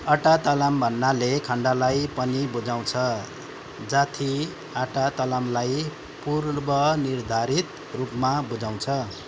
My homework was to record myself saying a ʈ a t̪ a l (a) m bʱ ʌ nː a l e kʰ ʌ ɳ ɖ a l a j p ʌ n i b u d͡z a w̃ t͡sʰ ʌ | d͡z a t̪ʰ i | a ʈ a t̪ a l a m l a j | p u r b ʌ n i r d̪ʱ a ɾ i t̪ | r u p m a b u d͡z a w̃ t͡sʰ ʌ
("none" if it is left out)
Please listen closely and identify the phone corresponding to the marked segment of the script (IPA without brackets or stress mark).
a